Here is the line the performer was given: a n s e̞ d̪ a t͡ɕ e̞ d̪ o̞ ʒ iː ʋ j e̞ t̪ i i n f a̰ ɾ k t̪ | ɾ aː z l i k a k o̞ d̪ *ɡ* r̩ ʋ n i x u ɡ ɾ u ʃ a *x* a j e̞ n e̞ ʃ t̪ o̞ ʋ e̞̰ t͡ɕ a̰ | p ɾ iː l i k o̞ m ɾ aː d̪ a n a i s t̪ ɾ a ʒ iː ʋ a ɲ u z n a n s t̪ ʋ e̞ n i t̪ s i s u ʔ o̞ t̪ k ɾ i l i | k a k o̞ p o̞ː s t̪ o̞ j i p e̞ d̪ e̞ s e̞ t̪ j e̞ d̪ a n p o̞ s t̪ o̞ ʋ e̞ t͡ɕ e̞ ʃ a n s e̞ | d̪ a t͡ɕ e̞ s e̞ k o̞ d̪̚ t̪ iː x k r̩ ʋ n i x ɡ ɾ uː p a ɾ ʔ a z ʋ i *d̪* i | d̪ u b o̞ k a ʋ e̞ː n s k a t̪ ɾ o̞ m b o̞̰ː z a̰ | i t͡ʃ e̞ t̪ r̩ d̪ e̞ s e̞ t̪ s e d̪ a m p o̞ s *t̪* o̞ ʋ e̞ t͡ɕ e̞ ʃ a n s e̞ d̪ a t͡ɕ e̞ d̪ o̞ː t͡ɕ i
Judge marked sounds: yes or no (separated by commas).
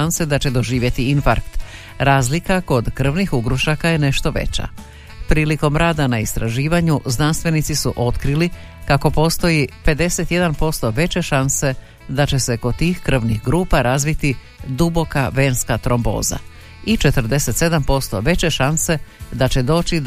no, no, no, yes